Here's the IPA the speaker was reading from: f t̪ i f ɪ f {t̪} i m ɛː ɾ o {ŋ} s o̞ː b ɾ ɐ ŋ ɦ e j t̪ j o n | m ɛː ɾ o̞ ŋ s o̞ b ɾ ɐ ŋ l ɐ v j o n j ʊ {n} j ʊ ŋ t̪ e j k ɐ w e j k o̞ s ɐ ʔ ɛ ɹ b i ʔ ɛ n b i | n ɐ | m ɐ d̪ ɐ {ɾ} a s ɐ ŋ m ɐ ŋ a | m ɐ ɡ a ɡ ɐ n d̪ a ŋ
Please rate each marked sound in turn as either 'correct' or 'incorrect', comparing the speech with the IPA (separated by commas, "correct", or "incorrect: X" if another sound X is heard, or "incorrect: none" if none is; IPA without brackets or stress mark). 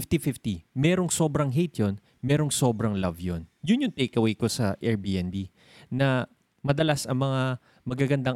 correct, correct, correct, incorrect: l